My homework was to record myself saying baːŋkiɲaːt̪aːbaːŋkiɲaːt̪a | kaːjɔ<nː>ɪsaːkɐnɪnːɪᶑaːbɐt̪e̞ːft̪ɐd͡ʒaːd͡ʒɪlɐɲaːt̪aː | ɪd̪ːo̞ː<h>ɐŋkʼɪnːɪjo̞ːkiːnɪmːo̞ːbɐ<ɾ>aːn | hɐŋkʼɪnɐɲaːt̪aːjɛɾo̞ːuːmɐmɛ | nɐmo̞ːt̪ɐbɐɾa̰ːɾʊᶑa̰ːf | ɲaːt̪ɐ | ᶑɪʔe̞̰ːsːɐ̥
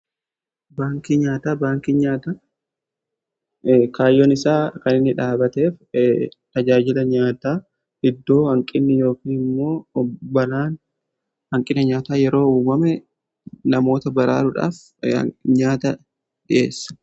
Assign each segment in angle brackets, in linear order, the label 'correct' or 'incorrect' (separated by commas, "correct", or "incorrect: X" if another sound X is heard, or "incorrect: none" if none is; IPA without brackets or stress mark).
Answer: incorrect: n, correct, incorrect: l